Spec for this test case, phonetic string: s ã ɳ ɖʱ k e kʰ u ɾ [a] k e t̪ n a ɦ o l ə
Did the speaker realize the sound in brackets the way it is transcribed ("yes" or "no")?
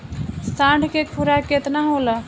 yes